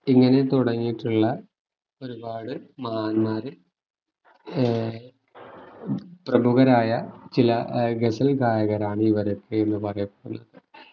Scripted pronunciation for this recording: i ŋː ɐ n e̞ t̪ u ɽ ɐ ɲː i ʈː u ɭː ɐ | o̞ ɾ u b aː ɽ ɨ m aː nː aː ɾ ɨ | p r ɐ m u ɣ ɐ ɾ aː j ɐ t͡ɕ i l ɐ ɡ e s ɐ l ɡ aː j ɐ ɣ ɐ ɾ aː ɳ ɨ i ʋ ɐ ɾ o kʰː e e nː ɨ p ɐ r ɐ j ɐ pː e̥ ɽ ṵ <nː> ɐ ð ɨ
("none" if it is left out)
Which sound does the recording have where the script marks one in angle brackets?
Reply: nː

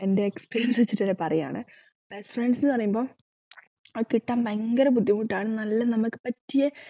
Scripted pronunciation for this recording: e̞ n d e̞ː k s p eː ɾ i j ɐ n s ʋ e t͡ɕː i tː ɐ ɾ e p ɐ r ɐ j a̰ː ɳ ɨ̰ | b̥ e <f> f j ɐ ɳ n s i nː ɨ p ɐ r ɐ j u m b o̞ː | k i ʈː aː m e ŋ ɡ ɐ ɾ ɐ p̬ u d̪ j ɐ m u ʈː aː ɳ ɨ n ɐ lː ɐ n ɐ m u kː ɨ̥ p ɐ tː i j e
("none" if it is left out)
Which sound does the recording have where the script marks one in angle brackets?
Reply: s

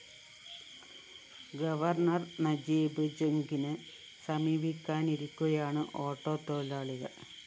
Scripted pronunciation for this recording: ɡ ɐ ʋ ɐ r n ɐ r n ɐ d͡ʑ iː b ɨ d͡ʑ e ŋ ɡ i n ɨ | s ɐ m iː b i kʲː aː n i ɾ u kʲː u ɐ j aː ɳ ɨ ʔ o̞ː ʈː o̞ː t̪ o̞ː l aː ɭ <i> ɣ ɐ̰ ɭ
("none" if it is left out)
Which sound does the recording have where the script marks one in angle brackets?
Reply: i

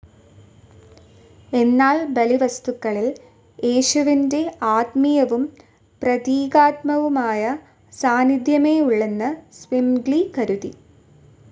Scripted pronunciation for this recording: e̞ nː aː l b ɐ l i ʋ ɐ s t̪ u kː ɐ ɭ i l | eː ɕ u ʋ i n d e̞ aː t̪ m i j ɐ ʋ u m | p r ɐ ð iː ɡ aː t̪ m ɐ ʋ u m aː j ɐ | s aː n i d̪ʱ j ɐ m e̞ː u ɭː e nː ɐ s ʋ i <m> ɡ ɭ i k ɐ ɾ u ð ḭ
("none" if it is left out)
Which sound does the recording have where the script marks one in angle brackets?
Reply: m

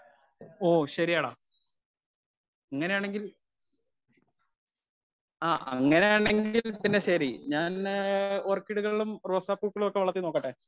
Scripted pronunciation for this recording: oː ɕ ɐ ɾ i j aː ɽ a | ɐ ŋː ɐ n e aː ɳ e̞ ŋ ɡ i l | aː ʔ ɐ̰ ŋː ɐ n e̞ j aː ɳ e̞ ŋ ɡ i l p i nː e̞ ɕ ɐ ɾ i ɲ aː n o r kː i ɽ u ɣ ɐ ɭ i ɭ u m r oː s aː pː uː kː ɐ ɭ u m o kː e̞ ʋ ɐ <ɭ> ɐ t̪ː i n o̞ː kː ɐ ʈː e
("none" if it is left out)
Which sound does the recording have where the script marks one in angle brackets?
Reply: ɭ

